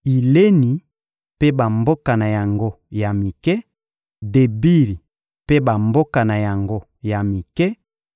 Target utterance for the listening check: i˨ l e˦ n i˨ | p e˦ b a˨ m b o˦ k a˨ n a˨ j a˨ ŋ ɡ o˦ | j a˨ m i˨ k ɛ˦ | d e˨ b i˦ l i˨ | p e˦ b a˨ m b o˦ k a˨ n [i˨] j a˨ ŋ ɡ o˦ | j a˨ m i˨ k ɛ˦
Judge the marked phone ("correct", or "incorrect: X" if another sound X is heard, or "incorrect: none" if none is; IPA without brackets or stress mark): incorrect: a˨